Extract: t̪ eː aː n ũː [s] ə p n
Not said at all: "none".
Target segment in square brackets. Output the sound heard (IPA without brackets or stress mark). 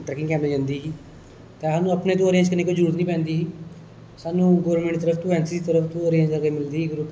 none